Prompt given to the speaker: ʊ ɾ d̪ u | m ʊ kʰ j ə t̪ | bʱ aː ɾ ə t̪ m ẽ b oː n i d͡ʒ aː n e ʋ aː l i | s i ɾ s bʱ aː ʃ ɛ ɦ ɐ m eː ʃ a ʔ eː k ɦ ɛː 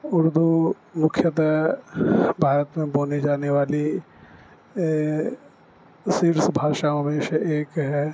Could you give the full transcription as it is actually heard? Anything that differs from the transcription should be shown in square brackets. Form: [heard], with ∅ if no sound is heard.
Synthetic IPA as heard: ʊ ɾ d̪ u | m ʊ kʰ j ə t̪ | bʱ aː ɾ ə t̪ m ẽ b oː n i d͡ʒ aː n e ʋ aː l i | s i ɾ s bʱ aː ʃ [a] ɦ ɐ m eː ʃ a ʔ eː k ɦ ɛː

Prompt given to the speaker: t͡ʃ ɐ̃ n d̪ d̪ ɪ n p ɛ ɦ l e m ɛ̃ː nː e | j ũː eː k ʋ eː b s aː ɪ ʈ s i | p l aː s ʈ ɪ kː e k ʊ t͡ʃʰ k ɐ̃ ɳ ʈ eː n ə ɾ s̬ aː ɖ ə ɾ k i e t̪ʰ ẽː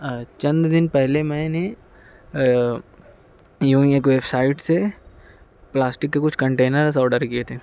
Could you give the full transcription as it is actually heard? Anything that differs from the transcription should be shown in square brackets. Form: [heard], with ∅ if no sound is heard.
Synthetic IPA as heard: t͡ʃ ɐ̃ n d̪ d̪ ɪ n p ɛ ɦ l e m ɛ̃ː [n] e | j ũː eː k ʋ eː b s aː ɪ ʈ s [e] | p l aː s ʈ ɪ kː e k ʊ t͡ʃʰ k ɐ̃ ɳ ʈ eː n ə ɾ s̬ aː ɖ ə ɾ k i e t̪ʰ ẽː

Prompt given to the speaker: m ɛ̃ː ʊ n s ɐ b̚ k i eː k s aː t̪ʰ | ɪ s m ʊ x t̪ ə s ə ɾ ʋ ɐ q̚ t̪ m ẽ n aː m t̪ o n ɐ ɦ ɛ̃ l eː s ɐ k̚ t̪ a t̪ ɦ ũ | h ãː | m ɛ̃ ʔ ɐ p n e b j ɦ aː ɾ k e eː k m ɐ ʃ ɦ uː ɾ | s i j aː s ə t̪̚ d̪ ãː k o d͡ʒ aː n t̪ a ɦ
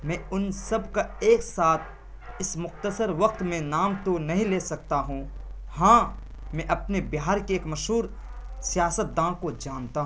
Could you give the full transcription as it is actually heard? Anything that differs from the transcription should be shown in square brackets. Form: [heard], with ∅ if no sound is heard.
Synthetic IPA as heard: m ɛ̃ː ʊ n s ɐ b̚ k [a] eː k s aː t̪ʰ | ɪ s m ʊ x t̪ ə s ə ɾ ʋ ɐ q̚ t̪ m ẽ n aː m t̪ o n ɐ ɦ [ĩ] l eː s ɐ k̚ t̪ a [∅] ɦ ũ | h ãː | m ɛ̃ ʔ ɐ p n e b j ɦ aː ɾ k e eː k m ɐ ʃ ɦ uː ɾ | s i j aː s ə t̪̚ d̪ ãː k o d͡ʒ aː n t̪ a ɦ

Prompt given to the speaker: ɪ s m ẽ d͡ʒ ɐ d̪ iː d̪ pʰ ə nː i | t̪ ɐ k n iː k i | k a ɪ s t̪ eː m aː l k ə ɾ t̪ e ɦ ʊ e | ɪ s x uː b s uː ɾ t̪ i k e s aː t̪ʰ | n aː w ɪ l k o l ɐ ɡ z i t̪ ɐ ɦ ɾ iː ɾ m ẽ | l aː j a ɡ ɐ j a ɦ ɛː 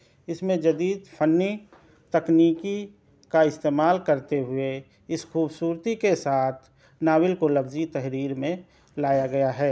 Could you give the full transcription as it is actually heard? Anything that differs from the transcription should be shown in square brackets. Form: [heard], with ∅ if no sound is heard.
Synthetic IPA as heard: ɪ s m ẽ d͡ʒ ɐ d̪ iː d̪ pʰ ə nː i | t̪ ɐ k n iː k i | k a ɪ s t̪ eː m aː l k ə ɾ t̪ e ɦ ʊ e | ɪ s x uː b s uː ɾ t̪ i k e s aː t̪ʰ | n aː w ɪ l k o l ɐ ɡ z i t̪ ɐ ɦ ɾ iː ɾ m ẽ | l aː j a ɡ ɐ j a ɦ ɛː

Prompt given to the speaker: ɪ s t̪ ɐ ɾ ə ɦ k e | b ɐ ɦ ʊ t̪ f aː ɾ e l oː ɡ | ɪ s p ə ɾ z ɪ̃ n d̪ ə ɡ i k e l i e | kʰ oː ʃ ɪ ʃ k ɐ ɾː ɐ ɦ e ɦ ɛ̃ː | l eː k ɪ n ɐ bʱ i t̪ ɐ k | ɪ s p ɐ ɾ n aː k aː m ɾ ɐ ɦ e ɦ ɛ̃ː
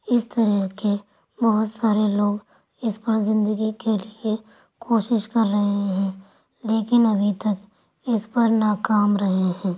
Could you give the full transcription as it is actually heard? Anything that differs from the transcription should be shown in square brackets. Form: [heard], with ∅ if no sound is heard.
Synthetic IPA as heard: ɪ s t̪ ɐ ɾ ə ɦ k e | b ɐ ɦ ʊ t̪ [s] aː ɾ e l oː ɡ | ɪ s p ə ɾ z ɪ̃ n d̪ ə ɡ i k e l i e | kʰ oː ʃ ɪ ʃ k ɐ ɾː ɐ ɦ e ɦ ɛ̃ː | l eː k ɪ n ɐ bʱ i t̪ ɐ k | ɪ s p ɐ ɾ n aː k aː m ɾ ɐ ɦ e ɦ ɛ̃ː

